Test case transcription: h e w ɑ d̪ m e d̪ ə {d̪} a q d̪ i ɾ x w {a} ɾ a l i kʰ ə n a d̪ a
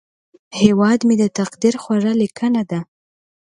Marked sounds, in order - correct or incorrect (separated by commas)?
incorrect, correct